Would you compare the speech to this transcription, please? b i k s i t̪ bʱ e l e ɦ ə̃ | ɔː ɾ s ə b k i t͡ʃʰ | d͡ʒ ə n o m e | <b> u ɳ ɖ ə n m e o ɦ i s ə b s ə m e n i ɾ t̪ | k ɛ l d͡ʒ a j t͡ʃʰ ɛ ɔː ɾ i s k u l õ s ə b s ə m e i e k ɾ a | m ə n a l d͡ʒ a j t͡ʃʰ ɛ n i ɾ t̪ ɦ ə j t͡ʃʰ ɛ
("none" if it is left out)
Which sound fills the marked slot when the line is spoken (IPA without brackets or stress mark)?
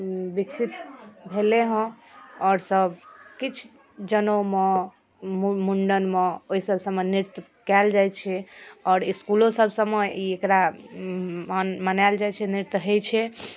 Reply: m